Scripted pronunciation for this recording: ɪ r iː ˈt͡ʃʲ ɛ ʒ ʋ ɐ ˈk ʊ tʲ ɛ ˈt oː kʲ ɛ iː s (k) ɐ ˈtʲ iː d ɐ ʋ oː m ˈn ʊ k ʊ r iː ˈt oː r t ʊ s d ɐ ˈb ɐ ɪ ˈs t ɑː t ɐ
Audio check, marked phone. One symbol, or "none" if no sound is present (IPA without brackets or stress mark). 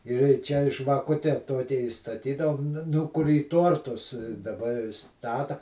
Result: t